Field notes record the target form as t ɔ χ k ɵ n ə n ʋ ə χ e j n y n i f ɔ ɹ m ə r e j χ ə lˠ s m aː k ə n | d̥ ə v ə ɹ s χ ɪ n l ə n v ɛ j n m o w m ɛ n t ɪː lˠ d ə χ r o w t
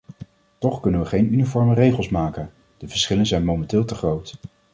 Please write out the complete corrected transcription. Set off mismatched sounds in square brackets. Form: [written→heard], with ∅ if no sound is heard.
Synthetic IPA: t ɔ χ k ɵ n ə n ʋ ə χ e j n y n i f ɔ ɹ m ə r e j χ ə lˠ s m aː k ə n | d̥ ə v ə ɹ s χ ɪ [n→∅] l ə n [v→z] ɛ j n m o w m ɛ n t ɪː lˠ [d→t] ə χ r o w t

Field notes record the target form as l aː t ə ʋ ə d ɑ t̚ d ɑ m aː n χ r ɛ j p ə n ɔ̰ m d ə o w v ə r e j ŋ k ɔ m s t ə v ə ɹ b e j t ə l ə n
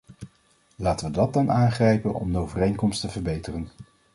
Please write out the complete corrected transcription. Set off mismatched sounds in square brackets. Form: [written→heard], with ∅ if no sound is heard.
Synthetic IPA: l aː t ə ʋ ə d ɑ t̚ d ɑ [m→n] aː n χ r ɛ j p ə n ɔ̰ m d ə o w v ə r e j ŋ k ɔ m s t ə v ə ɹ b e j t ə [l→r] ə n

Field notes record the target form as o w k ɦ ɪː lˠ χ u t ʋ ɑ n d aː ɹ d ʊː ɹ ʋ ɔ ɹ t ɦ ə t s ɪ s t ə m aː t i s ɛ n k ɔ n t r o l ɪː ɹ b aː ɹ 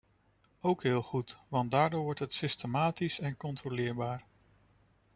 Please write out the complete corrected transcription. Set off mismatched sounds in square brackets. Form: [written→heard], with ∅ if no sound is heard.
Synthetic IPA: o w k ɦ ɪː lˠ χ u t ʋ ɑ n d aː ɹ d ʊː ɹ ʋ ɔ ɹ t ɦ ə t s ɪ s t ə m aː t i s ɛ n k ɔ n t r o l ɪː ɹ b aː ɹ

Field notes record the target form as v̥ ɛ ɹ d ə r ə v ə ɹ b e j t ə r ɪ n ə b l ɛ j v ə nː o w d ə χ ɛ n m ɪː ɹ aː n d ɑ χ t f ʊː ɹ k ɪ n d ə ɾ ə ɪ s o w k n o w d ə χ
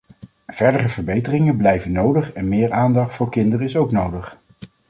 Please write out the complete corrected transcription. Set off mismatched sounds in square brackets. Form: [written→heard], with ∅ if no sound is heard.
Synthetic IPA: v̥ ɛ ɹ d ə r ə v ə ɹ b e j t ə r ɪ [n→ŋ] ə b l ɛ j v ə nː o w d ə χ ɛ n m ɪː ɹ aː n d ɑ χ t f ʊː ɹ k ɪ n d ə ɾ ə ɪ s o w k n o w d ə χ

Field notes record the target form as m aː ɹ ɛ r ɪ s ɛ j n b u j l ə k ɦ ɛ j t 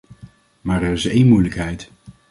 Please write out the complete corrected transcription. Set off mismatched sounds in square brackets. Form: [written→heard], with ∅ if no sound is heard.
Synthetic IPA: m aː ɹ ɛ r ɪ s [ɛ→e] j n [b→m] u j l ə k ɦ ɛ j t

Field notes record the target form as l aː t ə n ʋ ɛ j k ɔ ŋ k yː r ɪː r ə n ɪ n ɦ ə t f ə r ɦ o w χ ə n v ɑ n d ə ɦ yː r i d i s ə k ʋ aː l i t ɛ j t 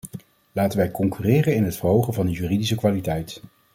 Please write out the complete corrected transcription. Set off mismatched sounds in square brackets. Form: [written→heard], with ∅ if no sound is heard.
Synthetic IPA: l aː t ə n ʋ ɛ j k ɔ ŋ k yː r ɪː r ə n ɪ n ɦ ə t f ə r ɦ o w χ ə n v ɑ n d ə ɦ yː r i d i s ə k ʋ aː l i t ɛ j t

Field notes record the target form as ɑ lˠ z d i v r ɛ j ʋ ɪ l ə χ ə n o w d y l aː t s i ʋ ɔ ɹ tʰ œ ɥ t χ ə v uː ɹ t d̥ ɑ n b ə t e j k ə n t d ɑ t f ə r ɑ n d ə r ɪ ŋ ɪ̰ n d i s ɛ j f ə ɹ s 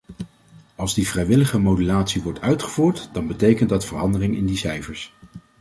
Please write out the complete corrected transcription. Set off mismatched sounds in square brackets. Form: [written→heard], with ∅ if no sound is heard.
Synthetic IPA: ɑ lˠ z d i v r ɛ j ʋ ɪ l ə χ ə [n→m] o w d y l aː t s i ʋ ɔ ɹ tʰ œ ɥ t χ ə v uː ɹ t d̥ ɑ n b ə t e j k ə n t d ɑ t f ə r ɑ n d ə r ɪ ŋ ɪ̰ n d i s ɛ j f ə ɹ s

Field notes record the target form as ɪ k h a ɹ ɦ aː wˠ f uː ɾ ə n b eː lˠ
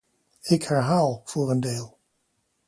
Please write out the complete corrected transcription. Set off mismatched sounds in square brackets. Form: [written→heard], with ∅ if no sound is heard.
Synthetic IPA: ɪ k h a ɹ ɦ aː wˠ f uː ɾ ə n [b→d] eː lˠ

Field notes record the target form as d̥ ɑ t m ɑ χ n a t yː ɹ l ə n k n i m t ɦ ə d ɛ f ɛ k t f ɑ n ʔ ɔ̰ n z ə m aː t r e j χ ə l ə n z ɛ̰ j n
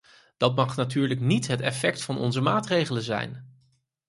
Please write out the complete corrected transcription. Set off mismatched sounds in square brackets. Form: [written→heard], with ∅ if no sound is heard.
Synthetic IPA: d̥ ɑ t m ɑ χ n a t yː ɹ l ə [n→∅] k n i [m→∅] t ɦ ə [d→t] ɛ f ɛ k t f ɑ n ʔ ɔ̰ n z ə m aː t r e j χ ə l ə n z ɛ̰ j n

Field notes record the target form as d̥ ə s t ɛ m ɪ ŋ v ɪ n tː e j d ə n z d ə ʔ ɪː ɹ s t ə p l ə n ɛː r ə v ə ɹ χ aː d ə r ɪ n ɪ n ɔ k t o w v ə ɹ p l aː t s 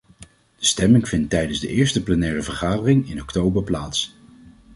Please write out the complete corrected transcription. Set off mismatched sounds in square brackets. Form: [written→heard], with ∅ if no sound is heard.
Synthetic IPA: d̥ ə s t ɛ m ɪ ŋ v ɪ n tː [e→ɛ] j d ə n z d ə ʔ ɪː ɹ s t ə p l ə n ɛː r ə v ə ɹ χ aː d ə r ɪ [n→ŋ] ɪ n ɔ k t o w [v→b] ə ɹ p l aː t s

